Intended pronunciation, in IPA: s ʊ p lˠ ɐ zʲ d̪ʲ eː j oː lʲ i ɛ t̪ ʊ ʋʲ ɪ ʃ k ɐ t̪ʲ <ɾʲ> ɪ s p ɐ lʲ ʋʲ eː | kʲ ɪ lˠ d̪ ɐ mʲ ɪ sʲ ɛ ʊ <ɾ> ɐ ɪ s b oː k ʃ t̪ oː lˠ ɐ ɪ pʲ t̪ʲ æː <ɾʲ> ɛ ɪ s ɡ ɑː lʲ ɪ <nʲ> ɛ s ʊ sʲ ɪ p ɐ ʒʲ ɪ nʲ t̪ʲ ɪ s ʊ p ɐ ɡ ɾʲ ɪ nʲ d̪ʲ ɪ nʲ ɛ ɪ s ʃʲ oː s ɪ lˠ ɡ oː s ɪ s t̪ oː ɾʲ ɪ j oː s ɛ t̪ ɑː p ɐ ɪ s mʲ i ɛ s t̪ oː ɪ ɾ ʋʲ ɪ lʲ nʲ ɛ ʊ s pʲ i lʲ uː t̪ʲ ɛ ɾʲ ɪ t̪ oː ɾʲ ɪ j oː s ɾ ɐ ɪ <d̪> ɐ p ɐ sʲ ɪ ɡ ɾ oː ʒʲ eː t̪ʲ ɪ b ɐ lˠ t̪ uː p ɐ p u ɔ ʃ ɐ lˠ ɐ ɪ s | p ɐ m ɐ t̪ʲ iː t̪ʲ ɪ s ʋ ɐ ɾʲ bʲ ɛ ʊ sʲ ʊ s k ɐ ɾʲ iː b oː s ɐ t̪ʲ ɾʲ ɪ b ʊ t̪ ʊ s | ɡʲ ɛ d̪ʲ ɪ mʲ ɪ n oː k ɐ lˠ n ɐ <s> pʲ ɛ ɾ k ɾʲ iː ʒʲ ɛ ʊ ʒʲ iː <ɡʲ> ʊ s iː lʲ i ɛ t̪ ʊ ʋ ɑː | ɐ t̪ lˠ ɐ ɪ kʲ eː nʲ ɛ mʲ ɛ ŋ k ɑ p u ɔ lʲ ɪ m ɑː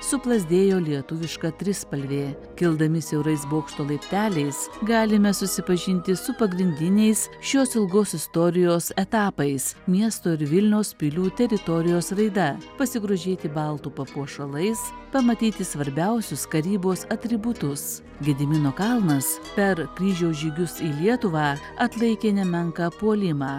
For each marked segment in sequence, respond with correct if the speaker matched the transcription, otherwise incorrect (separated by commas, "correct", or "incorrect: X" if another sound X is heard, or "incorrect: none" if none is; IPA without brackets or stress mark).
correct, correct, incorrect: lʲ, incorrect: mʲ, correct, correct, correct